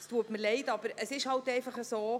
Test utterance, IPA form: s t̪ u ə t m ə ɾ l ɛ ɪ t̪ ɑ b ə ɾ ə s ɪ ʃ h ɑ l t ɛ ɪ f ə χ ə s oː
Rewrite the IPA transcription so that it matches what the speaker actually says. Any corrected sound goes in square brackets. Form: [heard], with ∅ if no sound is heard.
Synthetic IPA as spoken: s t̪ u ə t m ə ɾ l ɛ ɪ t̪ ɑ b ə ɾ ə s ɪ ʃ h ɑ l t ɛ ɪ f [ɑ] χ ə s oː